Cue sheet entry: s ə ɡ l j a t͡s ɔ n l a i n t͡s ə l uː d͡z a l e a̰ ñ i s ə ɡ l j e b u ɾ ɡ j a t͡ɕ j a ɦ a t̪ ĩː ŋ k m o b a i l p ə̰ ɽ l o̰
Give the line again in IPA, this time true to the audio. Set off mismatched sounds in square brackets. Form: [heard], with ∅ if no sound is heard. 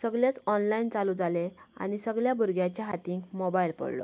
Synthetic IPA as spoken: s ə ɡ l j a t͡s ɔ n l a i n t͡s [a] l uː d͡z a l e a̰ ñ i s ə ɡ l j [a] b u ɾ ɡ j a t͡ɕ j a ɦ a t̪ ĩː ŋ k m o b a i l p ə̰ ɽ l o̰